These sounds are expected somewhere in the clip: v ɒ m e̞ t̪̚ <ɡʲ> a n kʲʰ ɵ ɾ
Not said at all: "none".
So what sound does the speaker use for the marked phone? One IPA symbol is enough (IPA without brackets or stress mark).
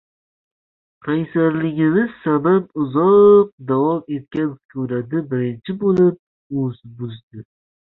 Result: kʲ